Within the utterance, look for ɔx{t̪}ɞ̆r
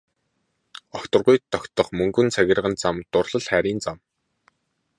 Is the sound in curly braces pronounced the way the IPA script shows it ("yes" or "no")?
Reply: yes